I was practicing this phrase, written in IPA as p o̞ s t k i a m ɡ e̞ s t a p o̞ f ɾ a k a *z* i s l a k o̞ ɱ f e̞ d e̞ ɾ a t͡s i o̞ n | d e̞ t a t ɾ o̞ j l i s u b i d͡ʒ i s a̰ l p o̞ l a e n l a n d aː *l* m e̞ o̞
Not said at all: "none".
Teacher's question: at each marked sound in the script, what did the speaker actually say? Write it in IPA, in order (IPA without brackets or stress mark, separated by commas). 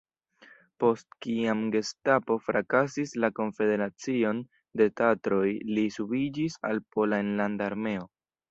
s, ɾ